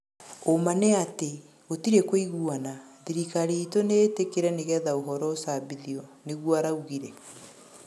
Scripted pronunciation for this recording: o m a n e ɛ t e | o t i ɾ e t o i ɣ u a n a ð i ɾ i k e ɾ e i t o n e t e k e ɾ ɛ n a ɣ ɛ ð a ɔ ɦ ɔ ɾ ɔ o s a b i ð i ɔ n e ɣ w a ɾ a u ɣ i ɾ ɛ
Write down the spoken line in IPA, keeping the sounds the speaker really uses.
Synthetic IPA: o m a n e a t e | o t i ɾ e k o i ɣ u a n a ð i ɾ i k a ɾ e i t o n e t e k e ɾ ɛ n e ɣ ɛ ð a o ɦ ɔ ɾ ɔ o s a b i ð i ɔ n e ɣ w a ɾ a u ɣ i ɾ ɛ